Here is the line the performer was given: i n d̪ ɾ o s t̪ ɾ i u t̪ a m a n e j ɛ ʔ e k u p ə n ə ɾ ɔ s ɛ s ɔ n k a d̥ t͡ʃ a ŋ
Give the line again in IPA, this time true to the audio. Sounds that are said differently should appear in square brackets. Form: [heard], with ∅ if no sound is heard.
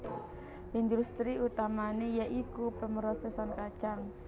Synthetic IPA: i n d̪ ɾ [u] s t̪ ɾ i u t̪ a m a n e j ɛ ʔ [i] k u p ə [m] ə ɾ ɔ s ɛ s ɔ n k a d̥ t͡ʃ a ŋ